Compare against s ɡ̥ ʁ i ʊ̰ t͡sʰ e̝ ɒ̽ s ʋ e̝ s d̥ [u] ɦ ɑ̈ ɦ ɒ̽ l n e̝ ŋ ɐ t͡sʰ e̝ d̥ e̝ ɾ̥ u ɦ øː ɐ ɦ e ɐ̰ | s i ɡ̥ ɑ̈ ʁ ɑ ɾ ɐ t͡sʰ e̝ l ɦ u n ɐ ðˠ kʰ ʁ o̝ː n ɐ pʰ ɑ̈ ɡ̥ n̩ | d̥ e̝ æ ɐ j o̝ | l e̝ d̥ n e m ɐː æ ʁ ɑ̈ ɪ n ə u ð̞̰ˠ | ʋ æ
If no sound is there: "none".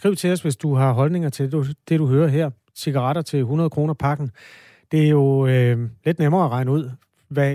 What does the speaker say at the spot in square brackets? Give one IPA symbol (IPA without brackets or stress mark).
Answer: u